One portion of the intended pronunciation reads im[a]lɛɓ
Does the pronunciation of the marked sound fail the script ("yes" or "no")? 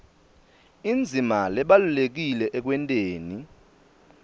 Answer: no